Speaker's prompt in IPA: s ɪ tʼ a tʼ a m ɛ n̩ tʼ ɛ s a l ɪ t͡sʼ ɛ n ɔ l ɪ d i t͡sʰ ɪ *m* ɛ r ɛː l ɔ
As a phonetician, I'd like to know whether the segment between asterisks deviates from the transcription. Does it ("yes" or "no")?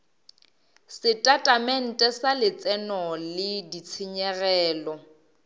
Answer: yes